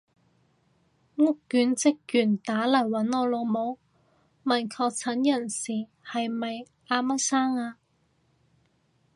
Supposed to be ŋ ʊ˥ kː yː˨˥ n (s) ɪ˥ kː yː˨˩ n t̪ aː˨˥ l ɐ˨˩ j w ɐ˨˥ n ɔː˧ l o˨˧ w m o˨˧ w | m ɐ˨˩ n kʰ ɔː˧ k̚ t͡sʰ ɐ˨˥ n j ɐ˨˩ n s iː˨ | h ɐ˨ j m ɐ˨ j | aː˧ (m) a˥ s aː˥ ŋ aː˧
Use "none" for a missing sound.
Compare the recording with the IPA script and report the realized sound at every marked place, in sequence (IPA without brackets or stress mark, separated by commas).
t͡s, m